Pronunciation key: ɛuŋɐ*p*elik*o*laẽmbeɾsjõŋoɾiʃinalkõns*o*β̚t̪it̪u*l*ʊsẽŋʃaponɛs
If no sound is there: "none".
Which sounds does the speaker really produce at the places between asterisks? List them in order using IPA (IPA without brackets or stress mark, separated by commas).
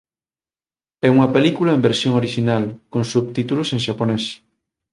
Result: p, u, u, l